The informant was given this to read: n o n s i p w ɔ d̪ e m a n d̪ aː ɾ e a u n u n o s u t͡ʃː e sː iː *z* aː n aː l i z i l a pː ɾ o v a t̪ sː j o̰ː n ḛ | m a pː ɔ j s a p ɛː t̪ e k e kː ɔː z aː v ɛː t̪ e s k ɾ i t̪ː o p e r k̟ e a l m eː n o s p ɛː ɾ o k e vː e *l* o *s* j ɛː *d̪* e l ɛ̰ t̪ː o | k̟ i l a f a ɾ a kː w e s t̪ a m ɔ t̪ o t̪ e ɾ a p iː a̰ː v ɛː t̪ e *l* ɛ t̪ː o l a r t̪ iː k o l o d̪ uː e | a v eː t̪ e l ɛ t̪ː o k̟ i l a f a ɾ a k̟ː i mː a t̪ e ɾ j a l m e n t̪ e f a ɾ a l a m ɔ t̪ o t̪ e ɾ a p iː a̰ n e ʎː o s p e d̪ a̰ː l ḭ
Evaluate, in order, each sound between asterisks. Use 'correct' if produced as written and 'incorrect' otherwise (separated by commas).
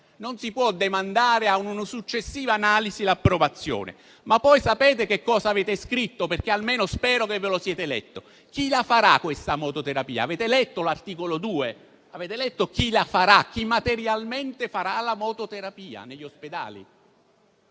incorrect, correct, correct, incorrect, correct